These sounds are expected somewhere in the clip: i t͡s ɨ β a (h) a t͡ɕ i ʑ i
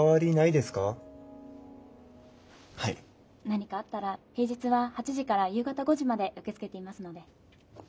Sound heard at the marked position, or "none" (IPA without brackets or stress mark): h